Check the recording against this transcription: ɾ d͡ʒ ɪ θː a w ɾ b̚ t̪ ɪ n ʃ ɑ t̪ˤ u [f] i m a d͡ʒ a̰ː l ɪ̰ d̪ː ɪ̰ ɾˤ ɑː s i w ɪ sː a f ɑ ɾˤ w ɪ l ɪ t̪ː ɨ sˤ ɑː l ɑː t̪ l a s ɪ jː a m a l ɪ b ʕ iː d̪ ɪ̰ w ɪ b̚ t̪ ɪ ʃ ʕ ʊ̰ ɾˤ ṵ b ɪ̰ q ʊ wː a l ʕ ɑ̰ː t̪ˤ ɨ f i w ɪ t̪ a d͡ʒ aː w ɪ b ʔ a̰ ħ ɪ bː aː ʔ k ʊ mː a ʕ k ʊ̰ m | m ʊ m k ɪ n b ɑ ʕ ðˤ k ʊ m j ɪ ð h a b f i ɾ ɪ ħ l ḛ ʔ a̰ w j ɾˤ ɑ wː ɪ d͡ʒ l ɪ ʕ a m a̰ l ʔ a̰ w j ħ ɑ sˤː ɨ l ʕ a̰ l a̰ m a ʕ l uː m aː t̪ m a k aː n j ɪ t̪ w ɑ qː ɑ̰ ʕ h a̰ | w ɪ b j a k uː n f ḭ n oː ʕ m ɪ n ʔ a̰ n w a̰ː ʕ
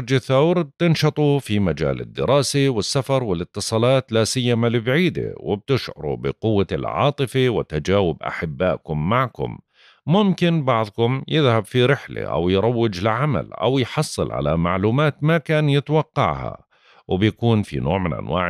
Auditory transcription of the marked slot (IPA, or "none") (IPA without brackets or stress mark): f